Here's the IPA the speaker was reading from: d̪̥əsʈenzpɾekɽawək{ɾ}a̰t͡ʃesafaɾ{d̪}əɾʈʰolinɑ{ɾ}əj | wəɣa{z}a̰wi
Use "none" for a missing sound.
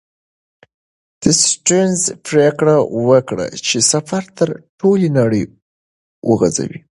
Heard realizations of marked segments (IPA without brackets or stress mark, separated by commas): ɽ, t̪, ɽ, z